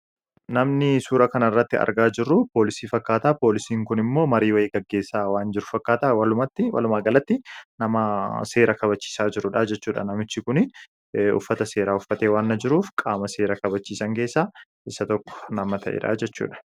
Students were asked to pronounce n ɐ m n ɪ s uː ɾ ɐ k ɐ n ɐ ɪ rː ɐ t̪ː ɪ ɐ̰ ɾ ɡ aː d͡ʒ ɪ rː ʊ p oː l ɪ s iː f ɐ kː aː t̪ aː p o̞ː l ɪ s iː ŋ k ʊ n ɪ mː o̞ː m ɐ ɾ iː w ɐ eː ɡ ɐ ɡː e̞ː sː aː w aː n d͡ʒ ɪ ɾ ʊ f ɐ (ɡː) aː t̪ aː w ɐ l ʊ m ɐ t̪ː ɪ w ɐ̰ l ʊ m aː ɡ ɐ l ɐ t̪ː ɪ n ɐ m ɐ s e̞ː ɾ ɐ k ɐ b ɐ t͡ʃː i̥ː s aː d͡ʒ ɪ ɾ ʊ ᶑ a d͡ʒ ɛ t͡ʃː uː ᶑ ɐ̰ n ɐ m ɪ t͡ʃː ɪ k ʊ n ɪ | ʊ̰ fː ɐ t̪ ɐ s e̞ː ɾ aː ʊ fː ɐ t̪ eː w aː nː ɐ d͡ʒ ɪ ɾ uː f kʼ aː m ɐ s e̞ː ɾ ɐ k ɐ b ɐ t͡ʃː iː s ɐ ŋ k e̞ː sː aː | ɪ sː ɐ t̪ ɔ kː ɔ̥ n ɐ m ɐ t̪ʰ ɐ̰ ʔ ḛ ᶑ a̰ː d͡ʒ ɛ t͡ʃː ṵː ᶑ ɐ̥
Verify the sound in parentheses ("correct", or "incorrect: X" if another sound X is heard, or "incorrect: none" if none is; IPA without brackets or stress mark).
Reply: incorrect: kː